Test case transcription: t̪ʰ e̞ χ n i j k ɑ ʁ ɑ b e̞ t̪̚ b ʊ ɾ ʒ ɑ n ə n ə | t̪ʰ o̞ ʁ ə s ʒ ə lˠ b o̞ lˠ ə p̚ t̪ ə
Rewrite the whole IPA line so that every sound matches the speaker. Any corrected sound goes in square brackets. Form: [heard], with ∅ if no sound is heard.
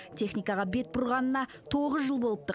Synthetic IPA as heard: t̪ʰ e̞ χ n i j k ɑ ʁ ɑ b e̞ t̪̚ b ʊ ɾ [ʁ] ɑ n ə n [ɑ] | t̪ʰ o̞ ʁ ə [z] ʒ ə lˠ b o̞ lˠ ə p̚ t̪ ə